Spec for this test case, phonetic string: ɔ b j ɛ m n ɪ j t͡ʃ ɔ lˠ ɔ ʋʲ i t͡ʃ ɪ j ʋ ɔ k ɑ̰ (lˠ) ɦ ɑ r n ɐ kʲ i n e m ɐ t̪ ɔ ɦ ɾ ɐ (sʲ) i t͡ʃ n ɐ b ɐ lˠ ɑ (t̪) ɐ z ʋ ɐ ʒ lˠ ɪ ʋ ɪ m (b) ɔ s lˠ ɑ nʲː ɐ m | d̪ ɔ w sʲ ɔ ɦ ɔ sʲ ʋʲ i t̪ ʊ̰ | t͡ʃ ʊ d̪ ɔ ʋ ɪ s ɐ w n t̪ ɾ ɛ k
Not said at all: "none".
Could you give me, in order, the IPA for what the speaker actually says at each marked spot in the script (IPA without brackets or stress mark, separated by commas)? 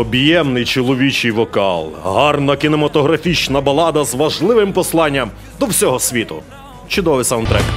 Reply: lˠ, fʲ, d̪, p